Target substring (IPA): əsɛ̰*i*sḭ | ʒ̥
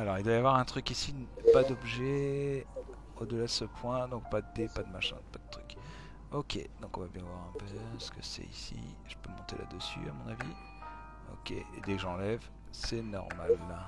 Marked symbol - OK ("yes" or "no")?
yes